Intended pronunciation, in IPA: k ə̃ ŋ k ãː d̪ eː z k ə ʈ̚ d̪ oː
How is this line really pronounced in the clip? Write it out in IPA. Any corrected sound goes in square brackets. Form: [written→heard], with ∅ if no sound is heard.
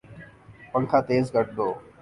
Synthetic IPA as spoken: [k→p] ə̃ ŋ [k→kʰ] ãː [d̪→t̪] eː z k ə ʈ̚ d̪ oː